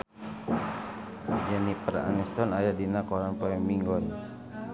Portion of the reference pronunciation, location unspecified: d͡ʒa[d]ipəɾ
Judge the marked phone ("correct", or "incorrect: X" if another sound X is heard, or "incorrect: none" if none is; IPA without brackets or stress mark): incorrect: n